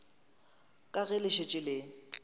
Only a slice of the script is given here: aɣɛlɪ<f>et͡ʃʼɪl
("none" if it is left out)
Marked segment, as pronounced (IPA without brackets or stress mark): ʃ